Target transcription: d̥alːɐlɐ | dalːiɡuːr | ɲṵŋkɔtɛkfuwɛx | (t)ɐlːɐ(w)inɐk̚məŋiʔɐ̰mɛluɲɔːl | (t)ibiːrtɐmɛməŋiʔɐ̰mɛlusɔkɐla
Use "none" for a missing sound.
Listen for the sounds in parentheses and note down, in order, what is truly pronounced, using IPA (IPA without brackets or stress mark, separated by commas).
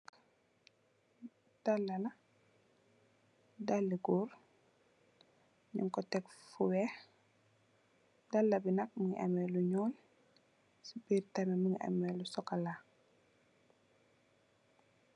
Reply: d, b, s